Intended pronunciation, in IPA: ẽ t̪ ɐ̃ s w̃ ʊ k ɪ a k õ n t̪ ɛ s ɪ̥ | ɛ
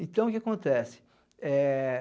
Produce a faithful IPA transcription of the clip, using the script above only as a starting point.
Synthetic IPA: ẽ t̪ ɐ̃ w̃ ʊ k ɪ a k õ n t̪ ɛ s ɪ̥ | ɛ